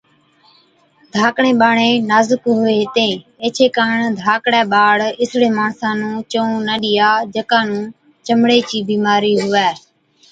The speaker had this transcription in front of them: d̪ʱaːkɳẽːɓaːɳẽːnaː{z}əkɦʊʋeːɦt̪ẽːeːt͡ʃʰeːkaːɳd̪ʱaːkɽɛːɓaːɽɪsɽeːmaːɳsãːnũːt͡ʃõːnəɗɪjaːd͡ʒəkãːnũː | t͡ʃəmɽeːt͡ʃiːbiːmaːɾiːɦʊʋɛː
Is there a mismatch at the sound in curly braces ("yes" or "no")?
no